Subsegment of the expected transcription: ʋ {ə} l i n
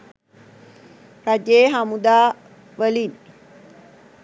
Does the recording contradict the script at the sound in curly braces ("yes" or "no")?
no